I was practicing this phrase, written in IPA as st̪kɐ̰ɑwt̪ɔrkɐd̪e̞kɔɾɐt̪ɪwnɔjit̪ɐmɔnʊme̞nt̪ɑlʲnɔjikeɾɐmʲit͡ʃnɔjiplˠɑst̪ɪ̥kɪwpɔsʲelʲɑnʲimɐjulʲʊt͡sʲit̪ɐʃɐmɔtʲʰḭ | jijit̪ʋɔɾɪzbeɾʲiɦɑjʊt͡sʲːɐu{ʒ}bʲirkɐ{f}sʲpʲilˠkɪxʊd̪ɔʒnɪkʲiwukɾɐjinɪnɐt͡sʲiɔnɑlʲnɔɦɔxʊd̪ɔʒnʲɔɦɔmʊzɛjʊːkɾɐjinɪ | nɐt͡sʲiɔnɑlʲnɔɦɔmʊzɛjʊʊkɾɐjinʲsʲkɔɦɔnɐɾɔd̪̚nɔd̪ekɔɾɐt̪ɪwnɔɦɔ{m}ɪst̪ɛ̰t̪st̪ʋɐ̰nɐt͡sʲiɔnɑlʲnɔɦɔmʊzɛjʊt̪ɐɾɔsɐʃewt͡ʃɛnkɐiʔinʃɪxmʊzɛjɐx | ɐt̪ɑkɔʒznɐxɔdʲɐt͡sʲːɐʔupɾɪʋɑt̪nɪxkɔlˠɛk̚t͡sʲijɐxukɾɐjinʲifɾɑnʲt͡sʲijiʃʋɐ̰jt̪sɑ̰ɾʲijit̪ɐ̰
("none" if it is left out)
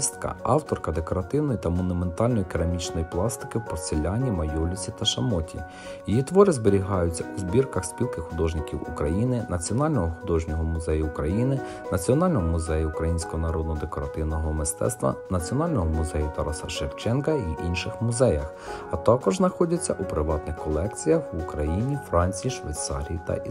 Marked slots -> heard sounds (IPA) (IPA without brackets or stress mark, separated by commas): z, x, m